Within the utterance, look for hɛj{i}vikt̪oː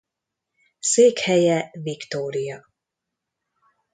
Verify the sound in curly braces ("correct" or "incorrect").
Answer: incorrect